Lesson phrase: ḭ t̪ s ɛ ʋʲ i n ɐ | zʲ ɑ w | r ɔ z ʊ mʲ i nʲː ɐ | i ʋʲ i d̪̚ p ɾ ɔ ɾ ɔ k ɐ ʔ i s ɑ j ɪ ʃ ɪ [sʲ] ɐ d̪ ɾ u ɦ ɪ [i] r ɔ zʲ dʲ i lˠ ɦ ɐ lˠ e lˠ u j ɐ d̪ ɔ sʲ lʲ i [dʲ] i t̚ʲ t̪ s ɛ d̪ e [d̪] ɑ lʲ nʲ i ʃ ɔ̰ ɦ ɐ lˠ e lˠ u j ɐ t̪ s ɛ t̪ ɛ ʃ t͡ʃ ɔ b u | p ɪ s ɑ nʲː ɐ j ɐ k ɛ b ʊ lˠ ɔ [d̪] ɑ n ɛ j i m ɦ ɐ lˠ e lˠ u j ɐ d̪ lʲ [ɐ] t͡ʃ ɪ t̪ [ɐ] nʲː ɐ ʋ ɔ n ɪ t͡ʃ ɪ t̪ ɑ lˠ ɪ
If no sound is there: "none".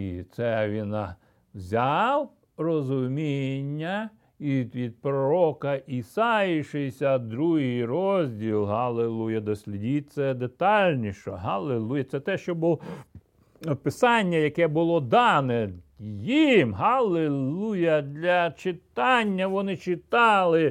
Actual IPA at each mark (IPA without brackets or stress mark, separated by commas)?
sʲ, j, dʲ, t̪, d̪, ɐ, ɑ